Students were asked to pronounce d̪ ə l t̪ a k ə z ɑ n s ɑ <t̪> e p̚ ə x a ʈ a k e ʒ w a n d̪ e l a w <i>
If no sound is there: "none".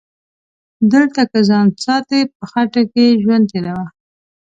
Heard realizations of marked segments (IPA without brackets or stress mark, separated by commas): t̪, a